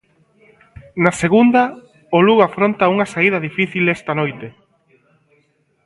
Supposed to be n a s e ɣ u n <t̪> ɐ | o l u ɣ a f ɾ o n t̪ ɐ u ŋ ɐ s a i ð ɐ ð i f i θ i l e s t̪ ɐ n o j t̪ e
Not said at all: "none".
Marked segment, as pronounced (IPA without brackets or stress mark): d̪